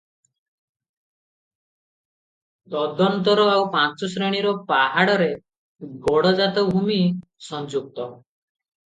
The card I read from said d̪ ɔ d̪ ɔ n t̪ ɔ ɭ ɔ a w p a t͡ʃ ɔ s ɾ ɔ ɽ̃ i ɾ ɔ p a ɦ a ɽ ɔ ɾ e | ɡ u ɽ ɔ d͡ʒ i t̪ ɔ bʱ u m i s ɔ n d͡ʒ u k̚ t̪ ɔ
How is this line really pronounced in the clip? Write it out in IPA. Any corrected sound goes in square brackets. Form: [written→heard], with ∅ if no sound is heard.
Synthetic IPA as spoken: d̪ ɔ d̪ ɔ n t̪ ɔ [ɭ→ɾ] ɔ a w p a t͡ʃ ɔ s ɾ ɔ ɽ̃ i ɾ ɔ p a ɦ a ɽ ɔ ɾ e | ɡ [u→ɔ] ɽ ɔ d͡ʒ [i→a] t̪ ɔ bʱ u m i s ɔ n d͡ʒ u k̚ t̪ ɔ